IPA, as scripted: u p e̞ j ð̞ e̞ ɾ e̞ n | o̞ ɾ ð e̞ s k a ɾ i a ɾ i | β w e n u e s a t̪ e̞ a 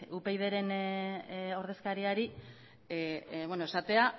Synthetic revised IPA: u p e̞ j ð̞ e̞ ɾ e̞ n | o̞ ɾ ð e̞ s k a ɾ i a ɾ i | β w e n o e s a t̪ e̞ a